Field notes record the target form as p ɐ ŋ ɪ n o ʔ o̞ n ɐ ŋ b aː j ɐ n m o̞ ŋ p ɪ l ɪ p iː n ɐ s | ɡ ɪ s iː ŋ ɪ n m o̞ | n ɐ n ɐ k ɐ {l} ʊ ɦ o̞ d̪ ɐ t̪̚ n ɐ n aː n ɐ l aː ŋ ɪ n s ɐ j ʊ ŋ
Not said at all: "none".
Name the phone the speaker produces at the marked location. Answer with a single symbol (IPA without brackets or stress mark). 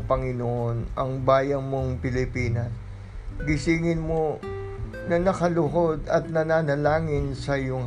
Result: l